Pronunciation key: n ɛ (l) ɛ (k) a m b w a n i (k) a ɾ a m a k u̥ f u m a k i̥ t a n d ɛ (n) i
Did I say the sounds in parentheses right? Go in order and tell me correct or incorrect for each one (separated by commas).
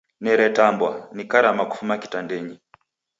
incorrect, incorrect, correct, incorrect